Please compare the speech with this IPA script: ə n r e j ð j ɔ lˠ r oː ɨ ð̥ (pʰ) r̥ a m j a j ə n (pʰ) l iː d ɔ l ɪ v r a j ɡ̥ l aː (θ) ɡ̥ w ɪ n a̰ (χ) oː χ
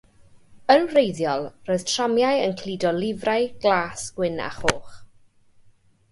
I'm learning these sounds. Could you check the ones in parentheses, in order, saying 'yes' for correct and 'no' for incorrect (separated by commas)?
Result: no, no, no, yes